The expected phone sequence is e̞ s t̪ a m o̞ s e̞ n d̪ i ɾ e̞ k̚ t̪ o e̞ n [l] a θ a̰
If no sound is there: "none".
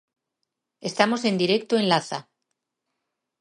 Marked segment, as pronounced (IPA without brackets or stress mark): l